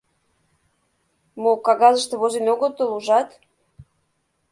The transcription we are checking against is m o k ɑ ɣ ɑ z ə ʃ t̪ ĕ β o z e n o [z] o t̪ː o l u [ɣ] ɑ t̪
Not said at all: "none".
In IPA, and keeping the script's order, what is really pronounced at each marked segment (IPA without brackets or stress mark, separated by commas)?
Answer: ɣ, ʒ